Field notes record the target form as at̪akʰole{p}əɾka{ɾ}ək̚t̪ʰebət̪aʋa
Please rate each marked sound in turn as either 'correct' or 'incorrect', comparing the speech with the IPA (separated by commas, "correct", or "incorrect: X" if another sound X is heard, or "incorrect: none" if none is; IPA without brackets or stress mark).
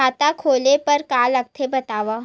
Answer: correct, incorrect: l